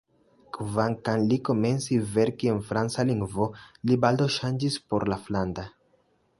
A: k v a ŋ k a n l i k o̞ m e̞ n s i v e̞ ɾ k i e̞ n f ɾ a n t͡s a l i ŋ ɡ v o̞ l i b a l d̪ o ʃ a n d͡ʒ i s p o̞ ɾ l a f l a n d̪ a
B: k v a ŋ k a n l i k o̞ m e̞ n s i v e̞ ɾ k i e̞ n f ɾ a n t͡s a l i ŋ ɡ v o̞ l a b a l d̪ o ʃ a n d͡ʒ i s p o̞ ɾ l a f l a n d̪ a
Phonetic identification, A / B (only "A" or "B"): A